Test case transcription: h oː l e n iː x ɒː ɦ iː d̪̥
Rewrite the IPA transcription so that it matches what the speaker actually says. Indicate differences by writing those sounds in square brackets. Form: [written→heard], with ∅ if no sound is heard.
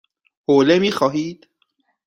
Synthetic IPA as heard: h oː l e [n→m] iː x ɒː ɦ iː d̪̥